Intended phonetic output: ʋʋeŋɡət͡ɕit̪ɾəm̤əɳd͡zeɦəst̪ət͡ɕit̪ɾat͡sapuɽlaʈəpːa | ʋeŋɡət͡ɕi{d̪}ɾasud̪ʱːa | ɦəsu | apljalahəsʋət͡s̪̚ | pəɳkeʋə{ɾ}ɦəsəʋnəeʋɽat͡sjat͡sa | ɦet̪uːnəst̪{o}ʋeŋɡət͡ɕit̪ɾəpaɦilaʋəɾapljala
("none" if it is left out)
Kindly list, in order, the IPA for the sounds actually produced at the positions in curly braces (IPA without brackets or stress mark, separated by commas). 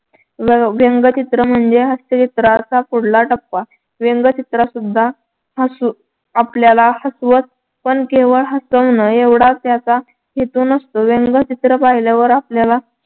t̪, ɭ, o